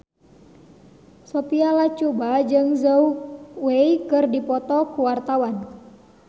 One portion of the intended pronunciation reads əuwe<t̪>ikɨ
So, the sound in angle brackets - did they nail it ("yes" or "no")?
no